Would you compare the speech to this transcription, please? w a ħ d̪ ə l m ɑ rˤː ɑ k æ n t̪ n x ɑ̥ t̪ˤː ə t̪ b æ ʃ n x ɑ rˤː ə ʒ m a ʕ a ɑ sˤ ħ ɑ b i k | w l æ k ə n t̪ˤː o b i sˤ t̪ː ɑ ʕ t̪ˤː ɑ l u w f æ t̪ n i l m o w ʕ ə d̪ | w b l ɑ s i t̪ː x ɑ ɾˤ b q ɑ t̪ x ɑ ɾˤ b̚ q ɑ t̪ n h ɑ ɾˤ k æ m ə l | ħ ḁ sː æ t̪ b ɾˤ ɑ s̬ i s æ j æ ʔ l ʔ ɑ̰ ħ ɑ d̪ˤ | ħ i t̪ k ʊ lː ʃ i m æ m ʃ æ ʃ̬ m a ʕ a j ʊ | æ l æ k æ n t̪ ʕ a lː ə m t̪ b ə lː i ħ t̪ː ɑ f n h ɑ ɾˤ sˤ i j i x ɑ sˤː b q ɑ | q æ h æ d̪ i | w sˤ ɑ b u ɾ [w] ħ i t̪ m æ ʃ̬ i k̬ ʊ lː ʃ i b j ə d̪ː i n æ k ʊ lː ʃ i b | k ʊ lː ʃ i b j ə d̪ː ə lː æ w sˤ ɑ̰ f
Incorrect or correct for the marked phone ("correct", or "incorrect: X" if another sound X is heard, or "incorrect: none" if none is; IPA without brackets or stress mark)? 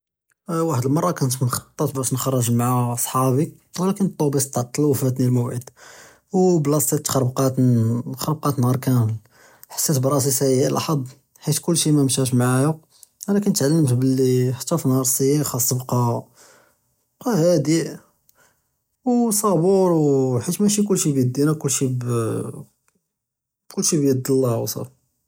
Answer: correct